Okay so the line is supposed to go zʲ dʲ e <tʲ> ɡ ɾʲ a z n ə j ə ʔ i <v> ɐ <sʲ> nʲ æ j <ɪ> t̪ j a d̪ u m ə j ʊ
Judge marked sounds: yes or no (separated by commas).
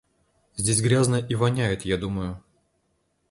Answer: no, yes, no, yes